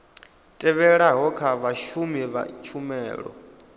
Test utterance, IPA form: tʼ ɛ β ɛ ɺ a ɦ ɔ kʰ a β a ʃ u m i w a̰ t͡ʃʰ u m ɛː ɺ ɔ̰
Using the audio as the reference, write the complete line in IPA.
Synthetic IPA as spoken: tʼ ɛ β ɛ ɺ a ɦ ɔ kʰ a β a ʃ u m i β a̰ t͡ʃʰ u m ɛː ɺ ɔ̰